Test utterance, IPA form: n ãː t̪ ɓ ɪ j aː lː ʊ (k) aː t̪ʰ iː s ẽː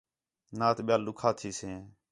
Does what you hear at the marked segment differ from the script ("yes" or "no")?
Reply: yes